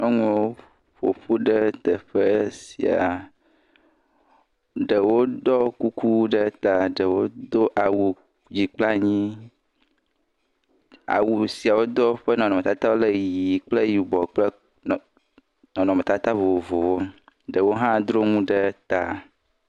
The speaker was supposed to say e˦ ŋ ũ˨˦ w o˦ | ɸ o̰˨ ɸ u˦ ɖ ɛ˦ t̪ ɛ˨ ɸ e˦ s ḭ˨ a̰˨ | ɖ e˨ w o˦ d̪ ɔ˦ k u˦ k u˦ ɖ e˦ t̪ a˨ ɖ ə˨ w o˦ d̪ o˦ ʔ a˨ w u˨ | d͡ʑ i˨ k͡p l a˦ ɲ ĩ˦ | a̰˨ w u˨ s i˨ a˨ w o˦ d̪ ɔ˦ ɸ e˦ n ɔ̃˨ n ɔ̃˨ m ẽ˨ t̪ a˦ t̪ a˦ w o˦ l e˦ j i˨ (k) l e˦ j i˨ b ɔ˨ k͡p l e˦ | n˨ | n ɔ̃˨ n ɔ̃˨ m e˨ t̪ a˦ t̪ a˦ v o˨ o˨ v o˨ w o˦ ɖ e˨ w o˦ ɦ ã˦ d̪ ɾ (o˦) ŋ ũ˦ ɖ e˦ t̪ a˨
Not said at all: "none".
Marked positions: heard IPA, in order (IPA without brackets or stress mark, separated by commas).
k͡p, o˦